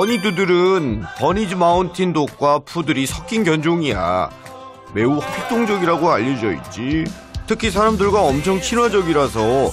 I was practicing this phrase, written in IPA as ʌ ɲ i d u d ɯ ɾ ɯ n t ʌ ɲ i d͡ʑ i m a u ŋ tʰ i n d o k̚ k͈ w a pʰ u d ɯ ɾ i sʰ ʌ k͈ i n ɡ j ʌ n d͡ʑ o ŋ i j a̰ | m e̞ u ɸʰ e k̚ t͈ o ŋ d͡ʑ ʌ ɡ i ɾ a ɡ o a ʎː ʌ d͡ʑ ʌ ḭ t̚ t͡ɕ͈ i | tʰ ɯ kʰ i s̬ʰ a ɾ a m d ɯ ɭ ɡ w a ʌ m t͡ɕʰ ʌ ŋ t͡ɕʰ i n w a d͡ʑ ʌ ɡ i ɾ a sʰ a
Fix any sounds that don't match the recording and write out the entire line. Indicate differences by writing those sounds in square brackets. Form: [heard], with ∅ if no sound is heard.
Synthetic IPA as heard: ʌ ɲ i d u d ɯ ɾ ɯ n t ʌ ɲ i d͡ʑ i m a u [n] tʰ i n d o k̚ k͈ w a pʰ u d ɯ ɾ i sʰ ʌ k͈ i n ɡ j ʌ n d͡ʑ o ŋ i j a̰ | m e̞ u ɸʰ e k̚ t͈ o ŋ d͡ʑ ʌ ɡ i ɾ a ɡ o a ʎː ʌ d͡ʑ ʌ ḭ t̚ t͡ɕ͈ i | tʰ ɯ kʰ i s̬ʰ a ɾ a m d ɯ ɭ ɡ w a ʌ m t͡ɕʰ ʌ ŋ t͡ɕʰ i n w a d͡ʑ ʌ ɡ i ɾ a sʰ [ʌ]

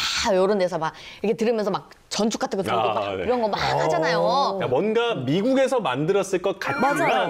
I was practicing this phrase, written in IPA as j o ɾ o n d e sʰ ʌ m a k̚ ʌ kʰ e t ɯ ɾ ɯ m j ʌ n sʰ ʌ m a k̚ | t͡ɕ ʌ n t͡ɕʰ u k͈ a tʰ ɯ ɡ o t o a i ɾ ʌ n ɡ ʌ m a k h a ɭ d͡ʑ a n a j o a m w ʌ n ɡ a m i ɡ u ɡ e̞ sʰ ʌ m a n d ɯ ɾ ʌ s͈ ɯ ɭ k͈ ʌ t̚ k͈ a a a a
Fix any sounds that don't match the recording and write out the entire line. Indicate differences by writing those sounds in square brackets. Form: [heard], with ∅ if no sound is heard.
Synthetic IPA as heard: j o ɾ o n d e sʰ ʌ m a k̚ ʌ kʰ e t ɯ ɾ ɯ m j ʌ n sʰ ʌ m a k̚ | t͡ɕ ʌ n t͡ɕʰ u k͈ a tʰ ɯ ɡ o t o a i ɾ ʌ n ɡ ʌ m a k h a [∅] d͡ʑ a n a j o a m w ʌ n ɡ a m i ɡ u ɡ e̞ sʰ ʌ m a n d ɯ ɾ ʌ s͈ ɯ ɭ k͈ ʌ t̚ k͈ a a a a

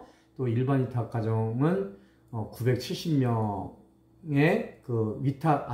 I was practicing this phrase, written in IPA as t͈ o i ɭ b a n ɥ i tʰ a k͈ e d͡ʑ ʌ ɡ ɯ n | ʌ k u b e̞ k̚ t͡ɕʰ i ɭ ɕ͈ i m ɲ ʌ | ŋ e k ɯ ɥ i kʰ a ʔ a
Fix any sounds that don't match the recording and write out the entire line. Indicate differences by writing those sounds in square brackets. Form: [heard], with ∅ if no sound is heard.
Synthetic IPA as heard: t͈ o i ɭ b a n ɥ i tʰ a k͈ [a] d͡ʑ ʌ [ŋ] ɯ n | ʌ k u b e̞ k̚ t͡ɕʰ i ɭ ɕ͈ i m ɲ ʌ | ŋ e k ɯ ɥ i [tʰ] a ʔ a

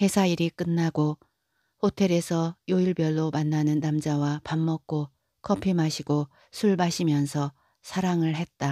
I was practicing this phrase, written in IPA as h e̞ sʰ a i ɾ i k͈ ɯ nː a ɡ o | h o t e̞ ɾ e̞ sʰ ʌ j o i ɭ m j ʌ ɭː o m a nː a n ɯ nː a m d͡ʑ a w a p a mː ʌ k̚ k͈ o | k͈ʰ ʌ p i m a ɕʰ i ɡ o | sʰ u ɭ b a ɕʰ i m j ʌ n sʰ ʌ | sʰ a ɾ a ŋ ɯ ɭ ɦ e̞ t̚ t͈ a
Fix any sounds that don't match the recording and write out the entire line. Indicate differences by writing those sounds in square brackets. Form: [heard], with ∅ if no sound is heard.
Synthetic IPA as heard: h e̞ sʰ a i ɾ i k͈ ɯ nː a ɡ o | h o [tʰ] e̞ ɾ e̞ sʰ ʌ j o i ɭ [b] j ʌ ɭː o m a nː a n ɯ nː a m d͡ʑ a w a p a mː ʌ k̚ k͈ o | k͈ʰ ʌ [pʰ] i m a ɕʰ i ɡ o | sʰ u ɭ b a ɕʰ i m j ʌ n sʰ ʌ | sʰ a ɾ a ŋ ɯ ɭ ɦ e̞ t̚ t͈ a

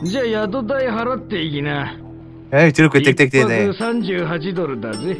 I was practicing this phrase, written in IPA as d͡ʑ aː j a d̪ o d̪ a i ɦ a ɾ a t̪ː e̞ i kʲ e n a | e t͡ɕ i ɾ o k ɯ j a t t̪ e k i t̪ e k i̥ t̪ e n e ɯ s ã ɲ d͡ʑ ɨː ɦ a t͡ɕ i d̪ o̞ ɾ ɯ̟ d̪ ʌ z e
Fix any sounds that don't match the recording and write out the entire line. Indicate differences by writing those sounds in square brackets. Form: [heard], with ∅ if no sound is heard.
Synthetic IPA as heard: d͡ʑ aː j a d̪ o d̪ a i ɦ a ɾ a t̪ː e̞ i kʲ [i] n a | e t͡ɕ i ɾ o k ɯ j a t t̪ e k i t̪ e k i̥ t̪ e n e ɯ s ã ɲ d͡ʑ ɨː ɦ a t͡ɕ i d̪ o̞ ɾ ɯ̟ d̪ [a] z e

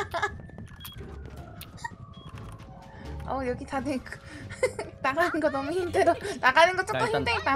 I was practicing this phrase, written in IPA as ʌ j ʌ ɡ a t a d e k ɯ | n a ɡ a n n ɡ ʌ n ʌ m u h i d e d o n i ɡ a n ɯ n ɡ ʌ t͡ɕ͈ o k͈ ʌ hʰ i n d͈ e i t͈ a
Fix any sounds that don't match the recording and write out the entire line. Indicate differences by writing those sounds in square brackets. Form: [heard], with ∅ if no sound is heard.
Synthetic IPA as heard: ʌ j ʌ ɡ [i] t a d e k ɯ | n a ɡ a n n ɡ ʌ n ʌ m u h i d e d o n [a] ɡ a n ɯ n ɡ ʌ t͡ɕ͈ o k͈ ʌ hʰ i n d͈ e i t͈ a

